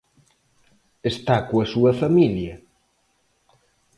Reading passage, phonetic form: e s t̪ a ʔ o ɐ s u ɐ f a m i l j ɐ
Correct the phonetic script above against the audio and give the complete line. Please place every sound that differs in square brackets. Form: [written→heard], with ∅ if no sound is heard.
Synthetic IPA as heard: e s t̪ a [ʔ→k] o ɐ s u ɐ f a m i l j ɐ